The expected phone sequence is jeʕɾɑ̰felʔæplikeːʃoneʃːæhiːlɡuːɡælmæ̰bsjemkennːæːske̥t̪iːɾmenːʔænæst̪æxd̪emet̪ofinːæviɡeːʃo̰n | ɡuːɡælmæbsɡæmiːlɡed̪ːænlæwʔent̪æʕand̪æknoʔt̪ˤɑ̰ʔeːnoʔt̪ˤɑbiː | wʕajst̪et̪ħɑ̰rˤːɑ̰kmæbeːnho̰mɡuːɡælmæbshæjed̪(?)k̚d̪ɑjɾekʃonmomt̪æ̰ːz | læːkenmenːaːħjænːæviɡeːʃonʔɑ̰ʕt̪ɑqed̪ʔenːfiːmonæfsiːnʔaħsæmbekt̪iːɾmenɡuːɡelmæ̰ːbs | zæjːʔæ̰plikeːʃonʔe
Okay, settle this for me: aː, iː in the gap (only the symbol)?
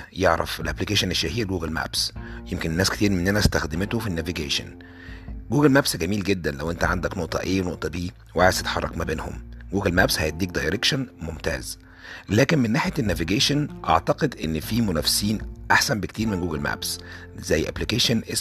iː